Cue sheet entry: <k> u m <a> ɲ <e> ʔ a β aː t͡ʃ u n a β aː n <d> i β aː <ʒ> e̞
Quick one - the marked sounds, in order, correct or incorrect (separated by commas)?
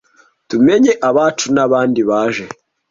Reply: incorrect, incorrect, correct, correct, correct